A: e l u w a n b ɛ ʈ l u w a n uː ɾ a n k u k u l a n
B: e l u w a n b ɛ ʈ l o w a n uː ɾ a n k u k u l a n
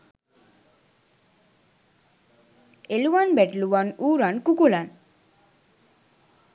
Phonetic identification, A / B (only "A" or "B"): A